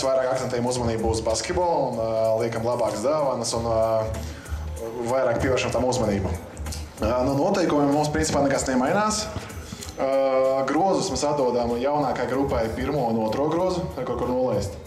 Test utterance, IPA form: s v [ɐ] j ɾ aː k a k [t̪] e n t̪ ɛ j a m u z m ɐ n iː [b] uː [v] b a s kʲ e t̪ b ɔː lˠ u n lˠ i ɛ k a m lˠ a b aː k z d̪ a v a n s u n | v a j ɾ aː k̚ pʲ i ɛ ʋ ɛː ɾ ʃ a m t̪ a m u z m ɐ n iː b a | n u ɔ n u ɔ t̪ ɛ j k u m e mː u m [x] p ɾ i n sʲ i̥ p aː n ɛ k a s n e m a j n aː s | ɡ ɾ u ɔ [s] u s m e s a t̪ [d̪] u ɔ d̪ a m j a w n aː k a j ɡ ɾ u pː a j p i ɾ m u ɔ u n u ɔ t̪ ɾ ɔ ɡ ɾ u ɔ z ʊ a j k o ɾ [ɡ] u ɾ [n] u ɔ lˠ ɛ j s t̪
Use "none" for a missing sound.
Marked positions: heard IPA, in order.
a, t̪, b, z, s, z, d̪, k, n

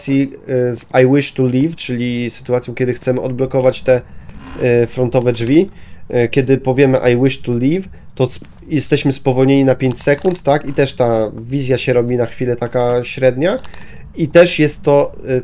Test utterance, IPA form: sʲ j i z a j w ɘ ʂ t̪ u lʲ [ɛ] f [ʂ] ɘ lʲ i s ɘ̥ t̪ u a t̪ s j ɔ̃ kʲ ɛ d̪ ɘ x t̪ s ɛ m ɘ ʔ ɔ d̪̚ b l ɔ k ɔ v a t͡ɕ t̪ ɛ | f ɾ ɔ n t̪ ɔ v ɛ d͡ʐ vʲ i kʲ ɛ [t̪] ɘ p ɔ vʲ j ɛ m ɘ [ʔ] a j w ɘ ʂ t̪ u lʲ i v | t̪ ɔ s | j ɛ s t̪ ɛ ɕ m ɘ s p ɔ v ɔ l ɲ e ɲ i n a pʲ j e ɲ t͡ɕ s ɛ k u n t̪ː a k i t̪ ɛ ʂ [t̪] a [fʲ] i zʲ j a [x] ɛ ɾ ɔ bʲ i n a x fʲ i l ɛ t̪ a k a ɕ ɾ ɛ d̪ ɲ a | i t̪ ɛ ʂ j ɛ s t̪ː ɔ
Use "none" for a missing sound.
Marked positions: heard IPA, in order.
i, t͡ʂ, d̪, ʔ, t̪, vʲ, ɕ

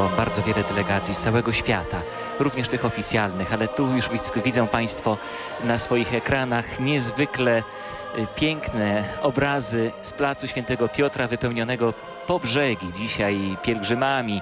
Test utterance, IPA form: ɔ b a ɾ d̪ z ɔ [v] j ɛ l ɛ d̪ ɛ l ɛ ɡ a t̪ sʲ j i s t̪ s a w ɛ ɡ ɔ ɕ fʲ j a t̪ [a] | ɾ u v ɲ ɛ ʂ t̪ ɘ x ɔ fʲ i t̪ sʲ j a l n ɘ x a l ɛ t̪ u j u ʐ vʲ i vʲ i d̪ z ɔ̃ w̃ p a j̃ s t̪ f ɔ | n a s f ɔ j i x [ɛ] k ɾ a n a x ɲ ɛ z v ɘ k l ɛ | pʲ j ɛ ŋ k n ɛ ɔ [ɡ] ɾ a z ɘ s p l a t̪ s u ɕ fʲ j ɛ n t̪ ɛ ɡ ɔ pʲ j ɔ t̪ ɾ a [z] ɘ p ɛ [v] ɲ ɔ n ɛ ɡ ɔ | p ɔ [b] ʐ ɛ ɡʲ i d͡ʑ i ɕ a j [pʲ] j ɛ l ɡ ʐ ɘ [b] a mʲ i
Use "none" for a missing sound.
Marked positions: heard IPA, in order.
v, a, ɛ, b, v, w, b, pʲ, m

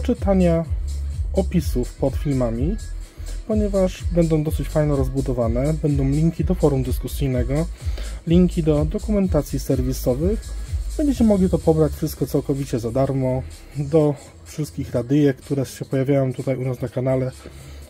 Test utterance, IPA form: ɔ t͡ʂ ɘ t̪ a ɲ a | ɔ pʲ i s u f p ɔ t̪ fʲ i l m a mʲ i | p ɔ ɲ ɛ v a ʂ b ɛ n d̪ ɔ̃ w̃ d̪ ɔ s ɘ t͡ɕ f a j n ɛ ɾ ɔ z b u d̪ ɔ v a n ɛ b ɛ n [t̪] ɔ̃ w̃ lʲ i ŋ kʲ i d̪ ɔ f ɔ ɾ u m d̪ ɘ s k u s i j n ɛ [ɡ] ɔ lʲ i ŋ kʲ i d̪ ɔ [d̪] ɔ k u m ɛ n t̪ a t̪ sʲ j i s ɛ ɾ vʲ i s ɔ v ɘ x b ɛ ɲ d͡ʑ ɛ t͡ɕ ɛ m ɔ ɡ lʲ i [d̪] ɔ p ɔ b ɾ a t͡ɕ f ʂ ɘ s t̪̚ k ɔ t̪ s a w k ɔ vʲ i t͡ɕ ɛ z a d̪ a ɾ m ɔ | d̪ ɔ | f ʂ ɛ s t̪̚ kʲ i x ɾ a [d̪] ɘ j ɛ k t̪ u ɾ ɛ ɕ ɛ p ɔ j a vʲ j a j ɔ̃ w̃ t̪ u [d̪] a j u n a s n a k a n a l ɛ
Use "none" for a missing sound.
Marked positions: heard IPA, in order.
d̪, ɡ, d̪, t̪, d̪, t̪

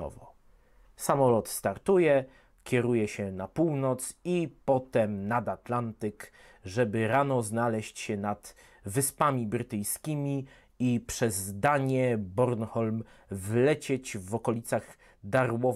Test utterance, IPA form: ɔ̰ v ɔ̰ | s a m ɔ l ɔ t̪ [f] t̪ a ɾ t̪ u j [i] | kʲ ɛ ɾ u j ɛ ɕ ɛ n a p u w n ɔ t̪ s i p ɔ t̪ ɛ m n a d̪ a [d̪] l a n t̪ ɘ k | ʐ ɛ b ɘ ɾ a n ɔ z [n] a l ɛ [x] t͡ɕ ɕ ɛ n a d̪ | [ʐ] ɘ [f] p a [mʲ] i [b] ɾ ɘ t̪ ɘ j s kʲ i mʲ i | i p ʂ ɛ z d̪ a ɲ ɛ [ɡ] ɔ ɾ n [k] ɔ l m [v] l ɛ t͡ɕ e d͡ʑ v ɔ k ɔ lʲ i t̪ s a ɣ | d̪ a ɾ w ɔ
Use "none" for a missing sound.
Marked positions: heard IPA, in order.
s, ɛ, t̪, n, ɕ, v, s, mʲ, b, b, x, v

